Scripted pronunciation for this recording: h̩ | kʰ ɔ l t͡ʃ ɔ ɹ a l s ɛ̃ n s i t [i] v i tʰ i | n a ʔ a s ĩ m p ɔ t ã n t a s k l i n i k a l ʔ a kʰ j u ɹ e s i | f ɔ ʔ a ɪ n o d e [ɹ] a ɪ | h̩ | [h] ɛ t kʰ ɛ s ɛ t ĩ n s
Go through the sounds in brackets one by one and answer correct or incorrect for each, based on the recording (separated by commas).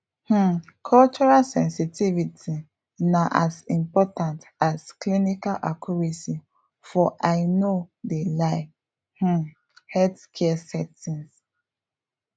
correct, incorrect, correct